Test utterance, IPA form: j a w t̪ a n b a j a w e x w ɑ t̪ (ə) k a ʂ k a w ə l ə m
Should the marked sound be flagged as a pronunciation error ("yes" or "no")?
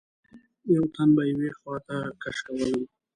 yes